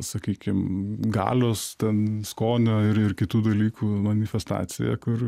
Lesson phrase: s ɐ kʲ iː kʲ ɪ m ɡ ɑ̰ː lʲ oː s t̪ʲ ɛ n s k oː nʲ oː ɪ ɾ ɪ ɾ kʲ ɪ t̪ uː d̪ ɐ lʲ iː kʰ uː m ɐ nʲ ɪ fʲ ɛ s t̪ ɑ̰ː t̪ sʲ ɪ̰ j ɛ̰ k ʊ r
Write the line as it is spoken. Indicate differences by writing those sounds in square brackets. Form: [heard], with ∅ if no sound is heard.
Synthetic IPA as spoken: s ɐ kʲ iː kʲ ɪ m ɡ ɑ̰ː lʲ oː s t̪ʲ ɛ n s k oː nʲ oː ɪ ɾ ɪ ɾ kʲ ɪ t̪ uː d̪ ɐ lʲ iː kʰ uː m ɐ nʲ ɪ fʲ ɛ s t̪ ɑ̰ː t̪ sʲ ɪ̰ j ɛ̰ k ʊ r